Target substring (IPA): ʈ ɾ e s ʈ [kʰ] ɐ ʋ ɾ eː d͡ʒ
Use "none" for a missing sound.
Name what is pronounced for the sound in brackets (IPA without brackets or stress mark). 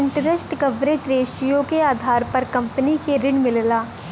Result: k